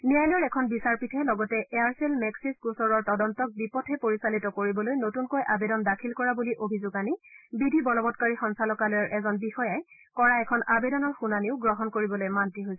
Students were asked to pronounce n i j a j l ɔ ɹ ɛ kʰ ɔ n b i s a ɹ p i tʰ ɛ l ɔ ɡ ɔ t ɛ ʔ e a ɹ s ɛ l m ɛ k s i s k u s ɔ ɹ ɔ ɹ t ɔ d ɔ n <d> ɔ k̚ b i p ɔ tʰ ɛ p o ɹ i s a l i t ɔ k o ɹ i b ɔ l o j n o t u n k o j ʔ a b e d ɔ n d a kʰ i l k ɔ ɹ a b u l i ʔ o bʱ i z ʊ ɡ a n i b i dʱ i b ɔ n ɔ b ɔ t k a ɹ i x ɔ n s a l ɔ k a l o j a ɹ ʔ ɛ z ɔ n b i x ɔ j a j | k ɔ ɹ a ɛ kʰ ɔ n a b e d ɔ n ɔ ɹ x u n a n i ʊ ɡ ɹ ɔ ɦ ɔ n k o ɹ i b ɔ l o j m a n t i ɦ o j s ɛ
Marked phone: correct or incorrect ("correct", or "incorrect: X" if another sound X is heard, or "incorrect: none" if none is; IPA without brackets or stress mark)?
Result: incorrect: t